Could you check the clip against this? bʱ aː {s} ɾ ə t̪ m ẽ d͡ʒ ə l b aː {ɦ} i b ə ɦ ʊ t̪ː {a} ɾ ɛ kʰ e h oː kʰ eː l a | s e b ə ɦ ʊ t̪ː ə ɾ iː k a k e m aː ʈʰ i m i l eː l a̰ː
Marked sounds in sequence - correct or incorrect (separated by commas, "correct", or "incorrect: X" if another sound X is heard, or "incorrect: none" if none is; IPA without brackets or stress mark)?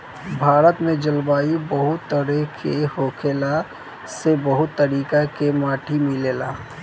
incorrect: none, incorrect: none, incorrect: ə